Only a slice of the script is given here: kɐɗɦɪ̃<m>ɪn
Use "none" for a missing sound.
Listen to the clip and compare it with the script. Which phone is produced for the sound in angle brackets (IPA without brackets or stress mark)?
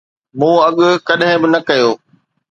b